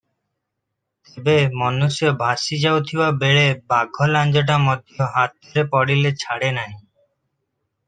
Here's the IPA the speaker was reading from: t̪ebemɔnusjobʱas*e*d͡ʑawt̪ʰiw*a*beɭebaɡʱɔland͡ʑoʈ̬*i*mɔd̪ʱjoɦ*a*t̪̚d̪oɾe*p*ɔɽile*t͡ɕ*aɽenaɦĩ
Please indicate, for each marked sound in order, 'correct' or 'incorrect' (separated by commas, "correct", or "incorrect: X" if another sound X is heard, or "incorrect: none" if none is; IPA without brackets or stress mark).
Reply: incorrect: i, correct, incorrect: a, correct, correct, incorrect: t͡ɕʰ